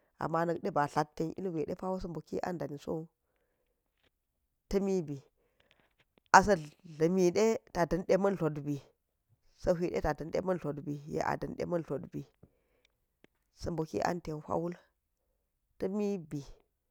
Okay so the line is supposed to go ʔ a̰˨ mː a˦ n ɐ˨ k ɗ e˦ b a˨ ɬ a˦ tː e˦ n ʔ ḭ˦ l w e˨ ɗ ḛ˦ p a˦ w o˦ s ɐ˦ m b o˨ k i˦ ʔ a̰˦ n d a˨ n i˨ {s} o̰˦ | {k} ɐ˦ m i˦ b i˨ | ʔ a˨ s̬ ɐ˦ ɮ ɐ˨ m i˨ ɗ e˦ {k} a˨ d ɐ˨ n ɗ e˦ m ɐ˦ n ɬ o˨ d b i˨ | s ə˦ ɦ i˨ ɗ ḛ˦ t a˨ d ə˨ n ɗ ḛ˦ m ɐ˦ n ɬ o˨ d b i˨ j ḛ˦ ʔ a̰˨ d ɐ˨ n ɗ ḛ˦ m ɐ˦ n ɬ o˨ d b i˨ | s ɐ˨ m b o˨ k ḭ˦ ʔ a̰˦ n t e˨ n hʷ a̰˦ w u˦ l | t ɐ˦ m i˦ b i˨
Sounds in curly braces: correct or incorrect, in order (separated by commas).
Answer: correct, incorrect, incorrect